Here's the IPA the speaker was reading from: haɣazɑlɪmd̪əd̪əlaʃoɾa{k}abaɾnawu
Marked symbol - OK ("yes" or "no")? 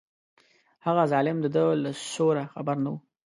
no